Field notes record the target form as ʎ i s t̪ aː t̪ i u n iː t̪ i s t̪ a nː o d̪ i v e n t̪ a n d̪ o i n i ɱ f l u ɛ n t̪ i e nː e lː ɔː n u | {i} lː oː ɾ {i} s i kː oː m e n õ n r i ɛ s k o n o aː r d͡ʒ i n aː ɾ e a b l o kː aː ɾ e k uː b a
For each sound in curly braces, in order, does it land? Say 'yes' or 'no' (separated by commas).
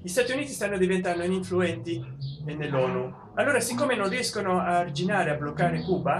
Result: no, no